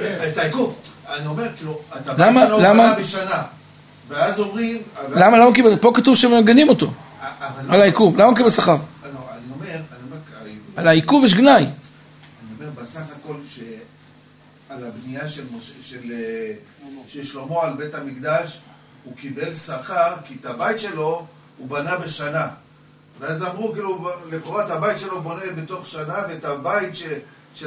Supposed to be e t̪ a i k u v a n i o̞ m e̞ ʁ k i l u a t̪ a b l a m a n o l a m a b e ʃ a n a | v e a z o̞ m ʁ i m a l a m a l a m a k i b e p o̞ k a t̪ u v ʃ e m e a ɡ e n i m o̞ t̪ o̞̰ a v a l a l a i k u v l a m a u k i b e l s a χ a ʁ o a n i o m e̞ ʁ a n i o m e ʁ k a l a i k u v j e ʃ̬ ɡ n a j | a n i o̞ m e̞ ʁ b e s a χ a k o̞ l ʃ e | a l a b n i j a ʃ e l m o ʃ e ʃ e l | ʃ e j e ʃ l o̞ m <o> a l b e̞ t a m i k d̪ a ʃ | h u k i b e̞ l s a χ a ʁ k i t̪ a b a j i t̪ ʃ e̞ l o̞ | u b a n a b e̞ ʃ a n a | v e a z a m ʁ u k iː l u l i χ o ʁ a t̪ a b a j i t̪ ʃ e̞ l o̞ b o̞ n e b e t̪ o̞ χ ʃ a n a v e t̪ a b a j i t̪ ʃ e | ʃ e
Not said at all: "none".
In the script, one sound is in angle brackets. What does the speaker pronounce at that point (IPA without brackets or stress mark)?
o